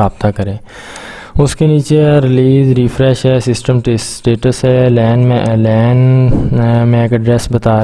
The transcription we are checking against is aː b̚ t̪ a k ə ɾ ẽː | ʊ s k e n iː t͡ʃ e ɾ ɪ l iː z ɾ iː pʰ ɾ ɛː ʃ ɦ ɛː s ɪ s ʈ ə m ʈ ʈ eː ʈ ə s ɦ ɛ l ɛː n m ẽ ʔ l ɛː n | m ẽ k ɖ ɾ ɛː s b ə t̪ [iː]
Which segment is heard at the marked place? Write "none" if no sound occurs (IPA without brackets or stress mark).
aː